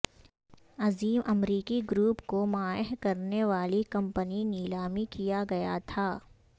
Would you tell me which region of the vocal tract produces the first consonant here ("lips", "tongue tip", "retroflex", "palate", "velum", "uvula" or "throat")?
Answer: tongue tip